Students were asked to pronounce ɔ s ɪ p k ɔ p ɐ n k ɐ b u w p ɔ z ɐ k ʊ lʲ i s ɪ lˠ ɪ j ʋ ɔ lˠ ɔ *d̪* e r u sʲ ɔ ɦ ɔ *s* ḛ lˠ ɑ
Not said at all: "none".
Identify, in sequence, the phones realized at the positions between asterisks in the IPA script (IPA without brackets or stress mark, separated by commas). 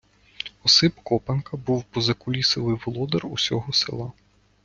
d̪, s